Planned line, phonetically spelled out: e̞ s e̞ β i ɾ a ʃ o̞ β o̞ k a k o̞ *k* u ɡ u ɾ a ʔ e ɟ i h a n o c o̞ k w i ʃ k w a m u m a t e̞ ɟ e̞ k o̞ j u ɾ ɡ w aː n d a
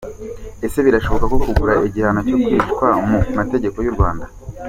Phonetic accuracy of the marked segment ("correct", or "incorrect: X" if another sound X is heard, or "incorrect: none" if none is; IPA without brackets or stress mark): correct